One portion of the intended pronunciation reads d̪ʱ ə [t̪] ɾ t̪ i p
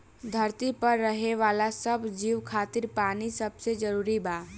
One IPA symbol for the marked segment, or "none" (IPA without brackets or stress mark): none